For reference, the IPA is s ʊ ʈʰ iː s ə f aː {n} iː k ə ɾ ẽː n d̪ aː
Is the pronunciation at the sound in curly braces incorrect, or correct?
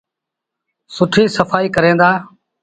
incorrect